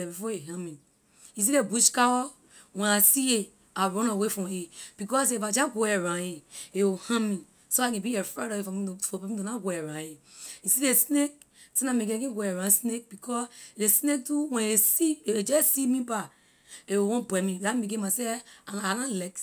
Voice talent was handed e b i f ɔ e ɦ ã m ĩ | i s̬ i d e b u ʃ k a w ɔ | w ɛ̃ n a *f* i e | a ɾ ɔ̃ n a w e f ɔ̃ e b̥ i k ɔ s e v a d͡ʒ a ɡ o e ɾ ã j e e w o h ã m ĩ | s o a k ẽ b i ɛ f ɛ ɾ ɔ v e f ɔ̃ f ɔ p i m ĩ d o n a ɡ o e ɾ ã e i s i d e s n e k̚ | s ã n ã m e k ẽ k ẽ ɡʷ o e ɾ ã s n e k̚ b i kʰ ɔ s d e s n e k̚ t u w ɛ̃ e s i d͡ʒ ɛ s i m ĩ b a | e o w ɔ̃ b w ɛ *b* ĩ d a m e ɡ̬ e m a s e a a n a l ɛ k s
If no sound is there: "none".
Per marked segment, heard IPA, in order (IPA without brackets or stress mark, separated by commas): s, m